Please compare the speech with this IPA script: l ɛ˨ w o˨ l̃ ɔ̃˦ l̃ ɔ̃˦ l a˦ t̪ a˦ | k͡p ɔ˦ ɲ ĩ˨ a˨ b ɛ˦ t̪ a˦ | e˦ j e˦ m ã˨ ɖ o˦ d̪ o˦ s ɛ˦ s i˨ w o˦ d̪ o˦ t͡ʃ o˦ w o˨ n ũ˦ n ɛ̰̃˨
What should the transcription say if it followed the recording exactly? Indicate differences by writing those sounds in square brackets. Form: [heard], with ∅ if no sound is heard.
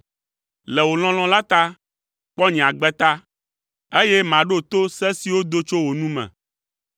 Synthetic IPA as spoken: l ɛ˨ w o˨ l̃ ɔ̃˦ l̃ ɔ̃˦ l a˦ t̪ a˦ | k͡p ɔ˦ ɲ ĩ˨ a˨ [ɡ͡b] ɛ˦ t̪ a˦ | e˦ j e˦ m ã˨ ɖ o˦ [t̪] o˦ s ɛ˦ s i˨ w o˦ d̪ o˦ t͡ʃ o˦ w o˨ n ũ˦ [m] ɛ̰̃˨